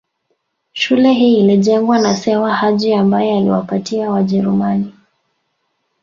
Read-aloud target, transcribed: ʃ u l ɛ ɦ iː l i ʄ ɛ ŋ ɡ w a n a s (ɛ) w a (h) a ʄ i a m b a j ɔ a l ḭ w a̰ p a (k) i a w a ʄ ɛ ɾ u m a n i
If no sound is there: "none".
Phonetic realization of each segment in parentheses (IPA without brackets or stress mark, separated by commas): ɛ, h, t